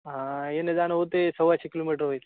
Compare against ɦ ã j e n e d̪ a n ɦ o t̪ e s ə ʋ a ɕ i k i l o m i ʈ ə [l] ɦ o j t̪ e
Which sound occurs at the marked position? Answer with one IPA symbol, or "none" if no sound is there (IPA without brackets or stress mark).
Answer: ɾ